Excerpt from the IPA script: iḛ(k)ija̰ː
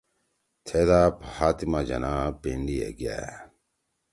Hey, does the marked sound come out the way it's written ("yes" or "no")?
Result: no